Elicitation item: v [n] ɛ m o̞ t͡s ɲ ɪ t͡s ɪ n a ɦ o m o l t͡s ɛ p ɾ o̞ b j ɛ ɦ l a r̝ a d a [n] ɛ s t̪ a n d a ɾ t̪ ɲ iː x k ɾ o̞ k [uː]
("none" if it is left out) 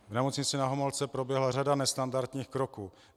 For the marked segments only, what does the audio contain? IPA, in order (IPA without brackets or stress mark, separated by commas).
n, n, uː